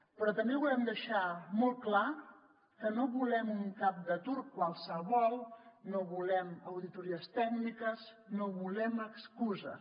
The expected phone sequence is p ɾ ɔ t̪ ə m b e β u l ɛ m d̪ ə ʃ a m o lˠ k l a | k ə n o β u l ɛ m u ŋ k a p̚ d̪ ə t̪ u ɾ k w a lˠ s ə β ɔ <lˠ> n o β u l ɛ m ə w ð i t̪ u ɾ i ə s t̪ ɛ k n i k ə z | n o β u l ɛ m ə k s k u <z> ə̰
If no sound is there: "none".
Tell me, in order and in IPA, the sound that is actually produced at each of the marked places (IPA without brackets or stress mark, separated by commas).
lˠ, z